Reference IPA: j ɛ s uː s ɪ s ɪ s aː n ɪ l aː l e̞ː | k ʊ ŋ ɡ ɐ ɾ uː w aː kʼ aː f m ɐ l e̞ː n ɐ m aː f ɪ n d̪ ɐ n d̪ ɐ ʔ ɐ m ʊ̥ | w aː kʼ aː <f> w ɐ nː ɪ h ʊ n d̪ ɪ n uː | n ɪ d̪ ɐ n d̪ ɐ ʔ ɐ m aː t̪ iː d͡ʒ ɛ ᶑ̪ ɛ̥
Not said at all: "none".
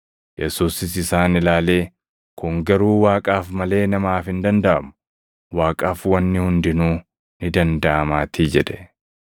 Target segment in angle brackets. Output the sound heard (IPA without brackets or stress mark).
f